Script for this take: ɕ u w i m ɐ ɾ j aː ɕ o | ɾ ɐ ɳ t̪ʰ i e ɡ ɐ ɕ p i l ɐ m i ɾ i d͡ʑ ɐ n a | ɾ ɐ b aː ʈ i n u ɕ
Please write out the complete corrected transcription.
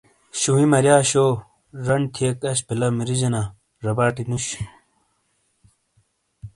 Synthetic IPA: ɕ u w i m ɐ ɾ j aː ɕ o | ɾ ɐ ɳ t̪ʰ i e k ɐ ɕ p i l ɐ m i ɾ i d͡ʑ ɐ n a | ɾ ɐ b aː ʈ i n u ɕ